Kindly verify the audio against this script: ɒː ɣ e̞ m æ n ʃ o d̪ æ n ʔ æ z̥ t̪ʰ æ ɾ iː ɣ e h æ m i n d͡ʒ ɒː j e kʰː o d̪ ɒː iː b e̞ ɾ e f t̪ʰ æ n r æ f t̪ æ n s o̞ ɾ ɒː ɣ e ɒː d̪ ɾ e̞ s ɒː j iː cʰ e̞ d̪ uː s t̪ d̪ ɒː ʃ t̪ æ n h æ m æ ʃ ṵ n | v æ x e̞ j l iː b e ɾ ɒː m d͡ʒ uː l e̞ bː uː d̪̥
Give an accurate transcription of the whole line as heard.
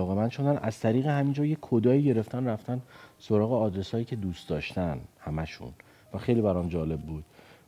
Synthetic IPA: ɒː ɣ e̞ m æ n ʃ o d̪ æ n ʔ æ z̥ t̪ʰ æ ɾ iː ɣ e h æ m i n d͡ʒ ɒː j e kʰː o d̪ ɒː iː ɟ e̞ ɾ e f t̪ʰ æ n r æ f t̪ æ n s o̞ ɾ ɒː ɣ e ɒː d̪ ɾ e̞ s ɒː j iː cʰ e̞ d̪ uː s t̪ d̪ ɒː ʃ t̪ æ n h æ m æ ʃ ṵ n | v æ x e̞ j l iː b æ ɾ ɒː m d͡ʒ ɒː l e̞ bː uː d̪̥